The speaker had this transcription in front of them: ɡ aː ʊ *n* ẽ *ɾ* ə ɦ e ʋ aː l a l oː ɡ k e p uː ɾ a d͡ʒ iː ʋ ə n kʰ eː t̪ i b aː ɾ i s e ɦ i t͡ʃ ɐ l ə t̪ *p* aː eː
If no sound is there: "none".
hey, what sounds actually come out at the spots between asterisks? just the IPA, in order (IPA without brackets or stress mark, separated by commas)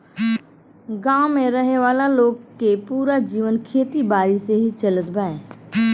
m, ɾ, b